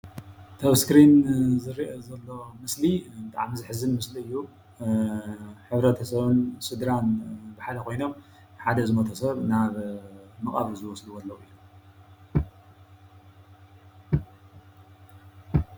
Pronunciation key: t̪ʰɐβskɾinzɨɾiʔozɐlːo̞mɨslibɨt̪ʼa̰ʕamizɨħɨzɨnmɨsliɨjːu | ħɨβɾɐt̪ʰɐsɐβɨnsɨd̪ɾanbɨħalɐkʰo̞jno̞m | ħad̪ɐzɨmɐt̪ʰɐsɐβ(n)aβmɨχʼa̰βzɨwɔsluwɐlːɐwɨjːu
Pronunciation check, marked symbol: correct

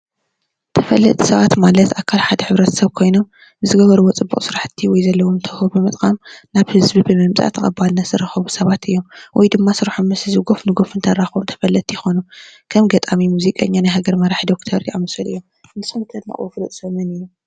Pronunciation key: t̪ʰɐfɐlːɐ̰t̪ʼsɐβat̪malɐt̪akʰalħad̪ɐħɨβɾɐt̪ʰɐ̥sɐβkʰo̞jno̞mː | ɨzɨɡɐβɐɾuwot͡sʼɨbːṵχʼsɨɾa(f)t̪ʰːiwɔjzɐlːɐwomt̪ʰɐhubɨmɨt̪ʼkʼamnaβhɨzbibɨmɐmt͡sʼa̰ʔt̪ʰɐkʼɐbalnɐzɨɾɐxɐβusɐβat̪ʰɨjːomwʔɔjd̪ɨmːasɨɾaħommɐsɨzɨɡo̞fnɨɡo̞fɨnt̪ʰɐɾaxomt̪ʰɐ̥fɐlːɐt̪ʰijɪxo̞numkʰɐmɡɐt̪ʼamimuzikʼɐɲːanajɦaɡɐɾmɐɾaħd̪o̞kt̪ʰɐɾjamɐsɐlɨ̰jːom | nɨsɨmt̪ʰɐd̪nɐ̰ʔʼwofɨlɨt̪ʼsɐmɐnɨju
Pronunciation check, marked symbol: incorrect: ħ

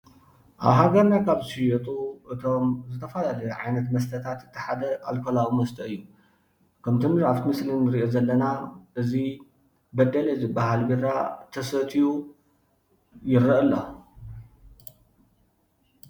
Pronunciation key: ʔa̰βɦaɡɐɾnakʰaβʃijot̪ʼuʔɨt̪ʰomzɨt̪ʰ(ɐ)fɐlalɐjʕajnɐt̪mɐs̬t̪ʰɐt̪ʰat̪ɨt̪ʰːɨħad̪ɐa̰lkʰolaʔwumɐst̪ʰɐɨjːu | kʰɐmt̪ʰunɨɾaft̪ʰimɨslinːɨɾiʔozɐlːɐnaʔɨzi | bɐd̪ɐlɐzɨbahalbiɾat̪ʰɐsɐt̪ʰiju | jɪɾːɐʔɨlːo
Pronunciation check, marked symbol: correct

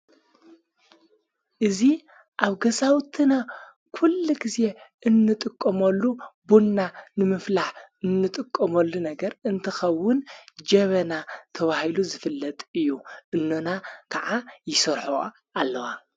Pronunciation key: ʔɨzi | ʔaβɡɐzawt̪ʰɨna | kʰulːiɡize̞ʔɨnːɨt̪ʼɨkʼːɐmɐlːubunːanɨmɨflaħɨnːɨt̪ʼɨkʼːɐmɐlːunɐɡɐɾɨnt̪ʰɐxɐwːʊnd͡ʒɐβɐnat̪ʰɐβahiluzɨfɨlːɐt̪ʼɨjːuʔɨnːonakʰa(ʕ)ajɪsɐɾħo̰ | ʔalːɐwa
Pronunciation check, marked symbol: correct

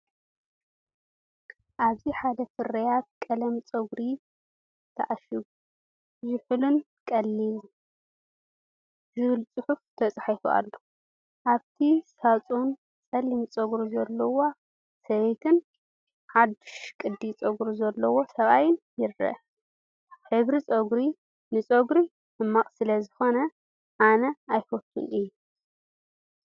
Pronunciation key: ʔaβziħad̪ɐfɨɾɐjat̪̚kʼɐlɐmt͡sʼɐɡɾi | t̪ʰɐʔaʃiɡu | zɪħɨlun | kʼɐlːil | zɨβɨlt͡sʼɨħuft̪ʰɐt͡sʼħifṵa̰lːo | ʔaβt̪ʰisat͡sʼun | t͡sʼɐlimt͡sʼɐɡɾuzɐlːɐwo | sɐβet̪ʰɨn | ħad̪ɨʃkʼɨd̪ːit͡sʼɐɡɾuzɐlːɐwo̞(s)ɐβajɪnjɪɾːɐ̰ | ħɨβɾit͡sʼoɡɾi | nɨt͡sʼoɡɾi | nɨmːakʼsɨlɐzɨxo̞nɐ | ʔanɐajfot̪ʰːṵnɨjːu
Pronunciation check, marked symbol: correct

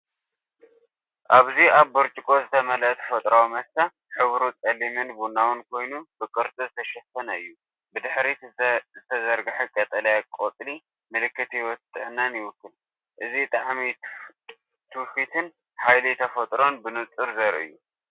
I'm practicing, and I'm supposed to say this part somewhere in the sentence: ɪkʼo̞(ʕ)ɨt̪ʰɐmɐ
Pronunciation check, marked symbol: incorrect: z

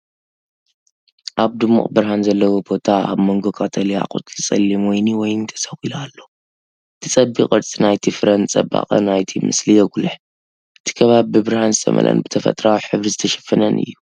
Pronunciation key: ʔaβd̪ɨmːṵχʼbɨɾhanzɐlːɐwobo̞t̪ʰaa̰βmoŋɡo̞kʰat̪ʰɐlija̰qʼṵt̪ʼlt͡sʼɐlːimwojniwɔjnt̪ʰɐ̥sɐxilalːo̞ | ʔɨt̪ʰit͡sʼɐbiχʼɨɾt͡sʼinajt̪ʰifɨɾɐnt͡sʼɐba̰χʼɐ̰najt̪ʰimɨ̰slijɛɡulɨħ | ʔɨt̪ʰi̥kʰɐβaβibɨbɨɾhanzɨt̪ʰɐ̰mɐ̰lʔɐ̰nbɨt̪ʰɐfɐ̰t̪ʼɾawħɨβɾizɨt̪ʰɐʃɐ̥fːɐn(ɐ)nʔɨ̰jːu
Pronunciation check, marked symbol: correct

